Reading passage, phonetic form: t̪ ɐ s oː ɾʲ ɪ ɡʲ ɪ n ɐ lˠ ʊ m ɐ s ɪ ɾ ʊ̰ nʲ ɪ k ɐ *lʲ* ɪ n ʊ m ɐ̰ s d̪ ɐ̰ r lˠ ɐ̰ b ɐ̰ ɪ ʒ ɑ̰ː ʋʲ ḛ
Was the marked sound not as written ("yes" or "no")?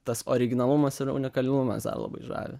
no